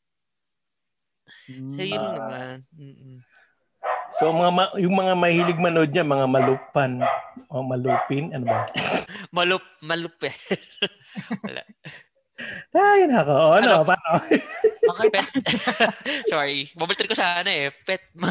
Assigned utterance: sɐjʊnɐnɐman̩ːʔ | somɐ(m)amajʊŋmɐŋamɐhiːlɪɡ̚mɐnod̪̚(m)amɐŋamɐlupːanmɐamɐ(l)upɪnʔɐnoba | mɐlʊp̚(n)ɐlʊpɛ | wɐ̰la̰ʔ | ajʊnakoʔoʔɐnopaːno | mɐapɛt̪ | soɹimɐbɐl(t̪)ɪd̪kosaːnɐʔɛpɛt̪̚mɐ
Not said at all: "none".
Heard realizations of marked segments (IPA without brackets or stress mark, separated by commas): ŋ, ɲ, l, m, t̪